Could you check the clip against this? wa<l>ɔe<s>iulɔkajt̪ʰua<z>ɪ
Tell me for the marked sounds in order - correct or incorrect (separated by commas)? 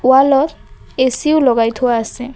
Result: correct, correct, incorrect